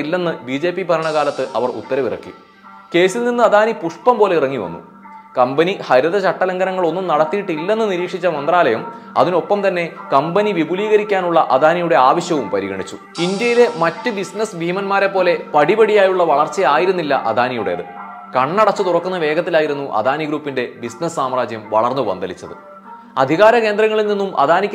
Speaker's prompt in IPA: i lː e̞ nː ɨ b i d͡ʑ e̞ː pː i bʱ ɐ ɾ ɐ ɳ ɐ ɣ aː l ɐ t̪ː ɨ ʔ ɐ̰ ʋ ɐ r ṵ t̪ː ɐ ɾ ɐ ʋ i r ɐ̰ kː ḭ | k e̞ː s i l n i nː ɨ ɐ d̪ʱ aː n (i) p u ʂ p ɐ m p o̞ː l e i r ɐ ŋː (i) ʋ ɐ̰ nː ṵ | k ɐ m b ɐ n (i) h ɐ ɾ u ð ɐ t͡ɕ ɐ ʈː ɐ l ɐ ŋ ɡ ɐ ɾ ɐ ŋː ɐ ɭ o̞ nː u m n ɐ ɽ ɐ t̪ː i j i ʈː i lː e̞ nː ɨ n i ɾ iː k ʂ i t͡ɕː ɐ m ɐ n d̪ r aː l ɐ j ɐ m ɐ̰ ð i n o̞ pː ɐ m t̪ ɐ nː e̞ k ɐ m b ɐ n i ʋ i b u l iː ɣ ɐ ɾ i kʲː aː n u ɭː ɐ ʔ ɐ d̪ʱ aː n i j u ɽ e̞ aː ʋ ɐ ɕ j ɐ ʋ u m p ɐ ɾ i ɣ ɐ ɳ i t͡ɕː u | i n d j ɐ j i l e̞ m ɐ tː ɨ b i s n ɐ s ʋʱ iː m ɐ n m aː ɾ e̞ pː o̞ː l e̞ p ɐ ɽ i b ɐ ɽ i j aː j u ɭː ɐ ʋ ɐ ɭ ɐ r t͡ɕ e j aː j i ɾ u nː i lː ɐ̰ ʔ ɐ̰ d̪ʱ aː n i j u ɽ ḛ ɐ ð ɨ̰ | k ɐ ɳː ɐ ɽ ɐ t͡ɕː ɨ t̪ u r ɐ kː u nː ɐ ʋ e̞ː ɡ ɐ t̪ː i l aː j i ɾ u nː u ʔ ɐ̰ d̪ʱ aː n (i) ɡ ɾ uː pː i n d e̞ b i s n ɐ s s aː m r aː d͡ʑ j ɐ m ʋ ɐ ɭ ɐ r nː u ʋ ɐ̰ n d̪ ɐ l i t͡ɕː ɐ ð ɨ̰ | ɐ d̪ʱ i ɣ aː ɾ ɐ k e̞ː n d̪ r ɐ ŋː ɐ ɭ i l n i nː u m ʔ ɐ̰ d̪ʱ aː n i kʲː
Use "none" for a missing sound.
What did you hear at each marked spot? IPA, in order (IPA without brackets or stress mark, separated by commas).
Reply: i, i, i, i